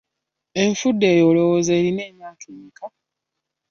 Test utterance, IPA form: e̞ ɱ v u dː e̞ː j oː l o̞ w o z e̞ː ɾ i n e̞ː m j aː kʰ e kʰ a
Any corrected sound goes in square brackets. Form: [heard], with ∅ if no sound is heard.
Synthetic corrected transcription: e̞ ɱ [f] u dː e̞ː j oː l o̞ w o z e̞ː ɾ i n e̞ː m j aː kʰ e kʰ a